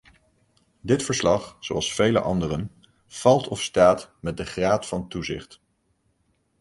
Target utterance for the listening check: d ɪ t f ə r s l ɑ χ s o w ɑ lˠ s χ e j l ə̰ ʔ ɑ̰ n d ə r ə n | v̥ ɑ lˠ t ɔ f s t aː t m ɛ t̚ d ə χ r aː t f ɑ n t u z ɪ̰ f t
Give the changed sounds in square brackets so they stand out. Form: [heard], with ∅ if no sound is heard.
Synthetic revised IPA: d ɪ t f ə [ɹ] s l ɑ χ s o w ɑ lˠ s [f] e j l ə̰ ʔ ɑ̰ n d ə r ə n | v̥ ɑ lˠ t ɔ f s t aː t m ɛ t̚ d ə χ r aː t f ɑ n t u z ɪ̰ [χ] t